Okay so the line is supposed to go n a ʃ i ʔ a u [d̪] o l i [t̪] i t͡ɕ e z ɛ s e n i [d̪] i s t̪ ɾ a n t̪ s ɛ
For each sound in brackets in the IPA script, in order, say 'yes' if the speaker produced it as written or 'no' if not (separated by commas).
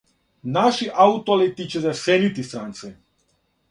no, yes, no